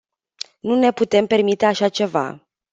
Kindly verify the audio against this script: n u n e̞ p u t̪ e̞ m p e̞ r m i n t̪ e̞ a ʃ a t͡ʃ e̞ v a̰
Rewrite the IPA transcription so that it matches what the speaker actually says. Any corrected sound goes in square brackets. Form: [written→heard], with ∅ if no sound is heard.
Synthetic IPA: n u n e̞ p u t̪ e̞ m p e̞ r m i [n→∅] t̪ e̞ a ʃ a t͡ʃ e̞ v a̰